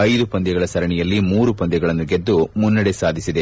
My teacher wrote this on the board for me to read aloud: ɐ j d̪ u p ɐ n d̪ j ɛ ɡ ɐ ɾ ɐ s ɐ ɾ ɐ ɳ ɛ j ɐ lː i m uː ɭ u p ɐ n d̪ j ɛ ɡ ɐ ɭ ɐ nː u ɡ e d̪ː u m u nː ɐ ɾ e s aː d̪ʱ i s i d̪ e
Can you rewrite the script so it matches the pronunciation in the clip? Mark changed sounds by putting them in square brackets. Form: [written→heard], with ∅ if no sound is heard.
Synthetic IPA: ɐ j d̪ u p ɐ n d̪ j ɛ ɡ ɐ [ɾ→ɭ] ɐ s ɐ ɾ ɐ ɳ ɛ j ɐ lː i m uː [ɭ→ɾ] u p ɐ n d̪ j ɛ ɡ ɐ ɭ ɐ nː u ɡ e d̪ː u m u nː ɐ [ɾ→ɽ] e s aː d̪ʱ i s i d̪ e

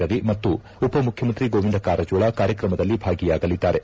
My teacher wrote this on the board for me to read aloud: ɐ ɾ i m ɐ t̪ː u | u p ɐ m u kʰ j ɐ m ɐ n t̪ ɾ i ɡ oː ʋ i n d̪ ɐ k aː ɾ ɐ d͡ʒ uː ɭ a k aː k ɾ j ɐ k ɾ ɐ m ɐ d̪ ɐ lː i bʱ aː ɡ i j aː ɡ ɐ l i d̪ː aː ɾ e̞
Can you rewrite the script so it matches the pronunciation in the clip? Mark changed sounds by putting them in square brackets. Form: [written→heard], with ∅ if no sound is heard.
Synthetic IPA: ɐ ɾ i m ɐ t̪ː u | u p ɐ m u kʰ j ɐ m ɐ n t̪ ɾ i ɡ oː ʋ i n d̪ ɐ k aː ɾ ɐ d͡ʒ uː ɭ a k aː [k→∅] ɾ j ɐ k ɾ ɐ m ɐ d̪ ɐ lː i bʱ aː ɡ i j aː ɡ ɐ l i d̪ː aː ɾ e̞

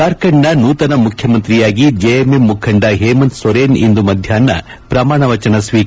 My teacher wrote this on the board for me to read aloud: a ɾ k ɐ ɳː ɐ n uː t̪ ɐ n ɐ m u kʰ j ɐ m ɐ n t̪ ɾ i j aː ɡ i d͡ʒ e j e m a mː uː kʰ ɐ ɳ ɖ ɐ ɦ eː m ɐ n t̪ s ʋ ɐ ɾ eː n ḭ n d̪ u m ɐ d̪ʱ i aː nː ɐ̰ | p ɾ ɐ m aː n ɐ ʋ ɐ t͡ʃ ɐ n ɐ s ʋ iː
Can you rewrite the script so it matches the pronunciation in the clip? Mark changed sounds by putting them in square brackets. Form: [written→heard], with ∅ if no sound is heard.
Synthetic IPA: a ɾ k ɐ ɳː ɐ n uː t̪ ɐ n ɐ m u kʰ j ɐ m ɐ n t̪ ɾ i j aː ɡ i d͡ʒ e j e m [a→e] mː [uː→u] kʰ ɐ ɳ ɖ ɐ ɦ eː m ɐ n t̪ s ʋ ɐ ɾ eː n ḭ n d̪ u m ɐ d̪ʱ [i→j] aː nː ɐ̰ | p ɾ ɐ m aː [n→ɳ] ɐ ʋ ɐ t͡ʃ ɐ n ɐ s ʋ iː

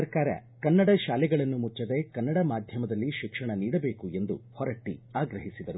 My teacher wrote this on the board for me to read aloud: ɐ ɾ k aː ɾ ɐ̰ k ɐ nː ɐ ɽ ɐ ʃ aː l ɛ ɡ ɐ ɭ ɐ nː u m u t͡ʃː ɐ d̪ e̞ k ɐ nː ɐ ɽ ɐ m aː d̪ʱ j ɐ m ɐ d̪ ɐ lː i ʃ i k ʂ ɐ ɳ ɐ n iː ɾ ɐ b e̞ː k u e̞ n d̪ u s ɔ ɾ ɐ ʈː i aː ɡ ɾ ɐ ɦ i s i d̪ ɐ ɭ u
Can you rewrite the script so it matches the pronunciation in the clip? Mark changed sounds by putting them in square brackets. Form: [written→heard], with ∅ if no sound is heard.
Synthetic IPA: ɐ ɾ k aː ɾ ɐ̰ k ɐ nː ɐ ɽ ɐ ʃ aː l ɛ ɡ ɐ ɭ ɐ nː u m u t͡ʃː ɐ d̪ e̞ k ɐ nː ɐ ɽ ɐ m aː d̪ʱ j ɐ m ɐ d̪ ɐ lː i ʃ i k ʂ ɐ ɳ ɐ n iː [ɾ→ɽ] ɐ b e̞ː k u e̞ n d̪ u [s→h] ɔ ɾ ɐ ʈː i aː ɡ ɾ ɐ ɦ i s i d̪ ɐ [ɭ→ɾ] u

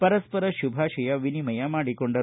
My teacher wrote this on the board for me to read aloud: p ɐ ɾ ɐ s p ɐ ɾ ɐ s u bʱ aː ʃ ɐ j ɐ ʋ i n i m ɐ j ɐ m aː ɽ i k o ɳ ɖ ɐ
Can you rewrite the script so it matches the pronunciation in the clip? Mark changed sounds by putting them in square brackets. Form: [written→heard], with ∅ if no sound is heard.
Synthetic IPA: p ɐ ɾ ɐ s p ɐ ɾ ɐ [s→ʃ] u bʱ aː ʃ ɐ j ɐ ʋ i n i m ɐ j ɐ m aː ɽ i k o ɳ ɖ ɐ

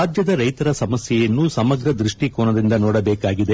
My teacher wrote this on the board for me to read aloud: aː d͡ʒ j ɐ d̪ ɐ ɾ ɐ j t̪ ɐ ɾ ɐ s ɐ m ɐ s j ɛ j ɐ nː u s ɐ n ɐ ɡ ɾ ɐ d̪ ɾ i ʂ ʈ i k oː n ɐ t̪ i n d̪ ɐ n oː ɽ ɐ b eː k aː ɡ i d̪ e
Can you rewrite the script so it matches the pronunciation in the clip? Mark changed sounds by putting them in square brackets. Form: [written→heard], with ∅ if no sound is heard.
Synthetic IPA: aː d͡ʒ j ɐ d̪ ɐ ɾ ɐ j t̪ ɐ ɾ ɐ s ɐ m ɐ s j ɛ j ɐ nː u s ɐ [n→m] ɐ ɡ ɾ ɐ d̪ ɾ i ʂ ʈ i k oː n ɐ [t̪→d̪] i n d̪ ɐ n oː ɽ ɐ b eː k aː ɡ i d̪ e

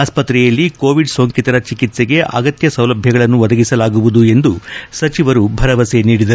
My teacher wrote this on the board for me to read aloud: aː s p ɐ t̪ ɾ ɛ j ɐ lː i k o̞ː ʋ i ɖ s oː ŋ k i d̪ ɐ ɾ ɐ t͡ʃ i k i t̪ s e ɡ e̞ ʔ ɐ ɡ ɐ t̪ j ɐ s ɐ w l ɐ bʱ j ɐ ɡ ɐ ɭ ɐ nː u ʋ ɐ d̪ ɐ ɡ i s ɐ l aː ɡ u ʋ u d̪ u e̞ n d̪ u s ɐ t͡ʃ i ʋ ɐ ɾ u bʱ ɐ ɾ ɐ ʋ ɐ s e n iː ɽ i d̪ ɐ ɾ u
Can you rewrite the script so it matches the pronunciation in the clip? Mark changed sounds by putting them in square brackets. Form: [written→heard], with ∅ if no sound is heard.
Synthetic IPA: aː s p ɐ t̪ ɾ ɛ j ɐ lː i k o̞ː ʋ i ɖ s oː ŋ k i [d̪→t̪] ɐ ɾ ɐ t͡ʃ i k i t̪ s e ɡ e̞ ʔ ɐ ɡ ɐ t̪ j ɐ s ɐ w l ɐ bʱ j ɐ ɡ ɐ ɭ ɐ nː u ʋ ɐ d̪ ɐ ɡ i s ɐ l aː ɡ u ʋ u d̪ u e̞ n d̪ u s ɐ t͡ʃ i ʋ ɐ ɾ u bʱ ɐ ɾ ɐ ʋ ɐ s e n iː ɽ i d̪ ɐ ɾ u

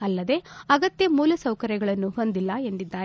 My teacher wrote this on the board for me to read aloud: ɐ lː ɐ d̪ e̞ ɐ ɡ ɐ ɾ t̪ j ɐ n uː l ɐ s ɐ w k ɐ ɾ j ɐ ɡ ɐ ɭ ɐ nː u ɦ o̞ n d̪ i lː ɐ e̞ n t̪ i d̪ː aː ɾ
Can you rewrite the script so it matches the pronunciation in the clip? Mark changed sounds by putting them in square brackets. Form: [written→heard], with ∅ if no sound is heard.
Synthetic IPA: ɐ lː ɐ d̪ e̞ ɐ ɡ ɐ [ɾ→∅] t̪ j ɐ [n→m] uː l ɐ s ɐ w k ɐ ɾ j ɐ ɡ ɐ ɭ ɐ nː u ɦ o̞ n d̪ i lː ɐ e̞ n [t̪→d̪] i d̪ː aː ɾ

